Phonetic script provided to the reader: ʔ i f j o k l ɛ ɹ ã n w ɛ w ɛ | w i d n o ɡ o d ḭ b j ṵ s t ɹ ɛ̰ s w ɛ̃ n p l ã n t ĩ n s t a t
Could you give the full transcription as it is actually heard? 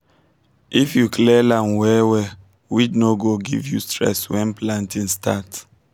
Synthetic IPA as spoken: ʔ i f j u k l ɛ l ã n w ɛ w ɛ | w i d n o ɡ o ɡ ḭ v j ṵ s t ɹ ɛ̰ s w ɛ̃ n p l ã n t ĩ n s t a t

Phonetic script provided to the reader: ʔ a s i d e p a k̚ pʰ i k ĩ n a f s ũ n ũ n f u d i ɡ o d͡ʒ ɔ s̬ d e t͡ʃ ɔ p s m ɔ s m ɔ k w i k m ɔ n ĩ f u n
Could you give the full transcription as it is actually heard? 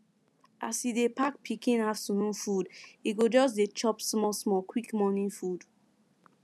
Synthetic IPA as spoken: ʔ a s i d e p a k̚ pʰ i k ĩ n a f s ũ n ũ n f u d i ɡ o d͡ʒ ɔ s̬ d e t͡ʃ ɔ p s m ɔ s m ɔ k w i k m ɔ n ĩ f u d

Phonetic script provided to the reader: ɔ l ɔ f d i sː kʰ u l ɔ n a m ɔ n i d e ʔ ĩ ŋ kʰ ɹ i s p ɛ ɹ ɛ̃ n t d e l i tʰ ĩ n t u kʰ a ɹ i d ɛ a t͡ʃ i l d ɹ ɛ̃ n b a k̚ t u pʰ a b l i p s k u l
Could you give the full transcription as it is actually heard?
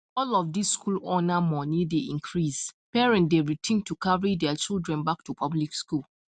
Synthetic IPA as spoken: ɔ l ɔ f d i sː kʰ u l ɔ n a m ɔ n i d e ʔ ĩ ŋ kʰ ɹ i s p ɛ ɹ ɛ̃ n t d e ɹ i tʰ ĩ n t u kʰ a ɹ i d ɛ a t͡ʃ i l d ɹ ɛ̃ n b a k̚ t u pʰ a b l i k s k u l

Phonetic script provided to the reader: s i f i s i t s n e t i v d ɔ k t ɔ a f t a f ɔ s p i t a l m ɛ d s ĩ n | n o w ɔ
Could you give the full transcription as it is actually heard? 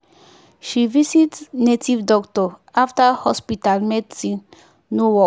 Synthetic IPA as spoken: ʃ i v i s i t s n e t i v d ɔ k t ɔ a f t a h ɔ s p i t a l m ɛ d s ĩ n | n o w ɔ

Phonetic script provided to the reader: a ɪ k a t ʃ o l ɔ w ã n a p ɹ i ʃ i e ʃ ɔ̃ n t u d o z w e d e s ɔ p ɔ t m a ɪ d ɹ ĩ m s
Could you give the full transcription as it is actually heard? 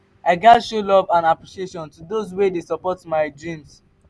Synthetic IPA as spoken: a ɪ ɡ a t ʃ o l ɔ v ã n a p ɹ i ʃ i e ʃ ɔ̃ n t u d o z w e d e s ɔ p ɔ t m a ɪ d ɹ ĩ m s

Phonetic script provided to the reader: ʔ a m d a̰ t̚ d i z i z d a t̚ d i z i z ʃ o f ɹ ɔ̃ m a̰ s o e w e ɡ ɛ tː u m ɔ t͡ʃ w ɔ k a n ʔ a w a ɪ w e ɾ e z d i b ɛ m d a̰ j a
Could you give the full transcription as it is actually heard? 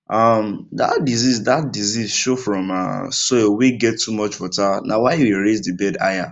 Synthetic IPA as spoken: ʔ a m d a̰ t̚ d i z i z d a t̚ d i z i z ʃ o f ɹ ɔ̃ m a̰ s o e w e ɡ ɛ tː u m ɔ t͡ʃ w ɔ t a n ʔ a w a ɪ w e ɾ e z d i b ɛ d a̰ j a

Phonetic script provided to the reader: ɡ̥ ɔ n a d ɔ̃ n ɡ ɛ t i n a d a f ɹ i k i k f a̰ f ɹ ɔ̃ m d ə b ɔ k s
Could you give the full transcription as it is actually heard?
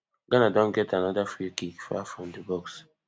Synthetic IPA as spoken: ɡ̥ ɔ n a d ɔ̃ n ɡ ɛ t a n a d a f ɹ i k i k f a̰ f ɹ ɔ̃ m d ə b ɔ k s

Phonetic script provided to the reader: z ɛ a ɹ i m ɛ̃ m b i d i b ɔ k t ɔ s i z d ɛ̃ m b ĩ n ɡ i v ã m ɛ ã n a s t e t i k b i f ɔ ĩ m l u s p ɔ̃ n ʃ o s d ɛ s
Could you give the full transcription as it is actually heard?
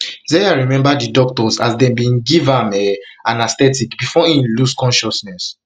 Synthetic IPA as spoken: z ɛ a ɹ i m ɛ̃ m b a d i d ɔ k t ɔ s a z d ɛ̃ m b ĩ n ɡ i v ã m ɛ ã n a s t ɛ t i k b i f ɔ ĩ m l u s k ɔ̃ n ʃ ɔ s n ɛ s

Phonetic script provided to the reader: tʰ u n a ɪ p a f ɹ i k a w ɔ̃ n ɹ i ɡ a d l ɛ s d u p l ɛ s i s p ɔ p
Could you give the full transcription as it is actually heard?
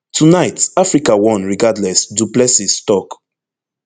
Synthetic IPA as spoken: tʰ u n a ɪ t a f ɹ i k a w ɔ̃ n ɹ i ɡ a d l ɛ s d u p l ɛ s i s t ɔ k

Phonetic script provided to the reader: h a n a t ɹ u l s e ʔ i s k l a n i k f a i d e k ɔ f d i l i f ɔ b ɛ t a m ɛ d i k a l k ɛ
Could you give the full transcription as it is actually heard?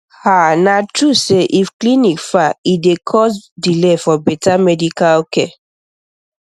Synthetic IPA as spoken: h a n a t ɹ u s e ʔ i f k l i n i k f a i d e kʰ ɔ s d i l e f ɔ b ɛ t a m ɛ d i k a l k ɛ

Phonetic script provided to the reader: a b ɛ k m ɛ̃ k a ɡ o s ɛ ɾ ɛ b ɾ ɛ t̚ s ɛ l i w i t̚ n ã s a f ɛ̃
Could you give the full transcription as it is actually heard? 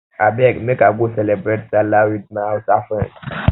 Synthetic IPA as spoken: a b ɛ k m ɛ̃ k a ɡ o s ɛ l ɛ b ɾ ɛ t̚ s a l a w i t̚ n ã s a f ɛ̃

